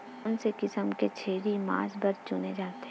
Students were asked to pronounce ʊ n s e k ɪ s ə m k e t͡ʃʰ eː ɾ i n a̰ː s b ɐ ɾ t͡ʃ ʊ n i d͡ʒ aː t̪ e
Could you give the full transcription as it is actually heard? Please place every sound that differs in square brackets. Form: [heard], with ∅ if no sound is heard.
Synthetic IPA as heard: ʊ n s e k ɪ s ə m k e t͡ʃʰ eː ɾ i [m] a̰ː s b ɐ ɾ t͡ʃ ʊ n [e] d͡ʒ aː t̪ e